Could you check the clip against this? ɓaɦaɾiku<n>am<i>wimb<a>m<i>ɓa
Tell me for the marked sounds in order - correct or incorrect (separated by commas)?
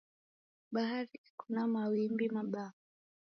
correct, incorrect, incorrect, incorrect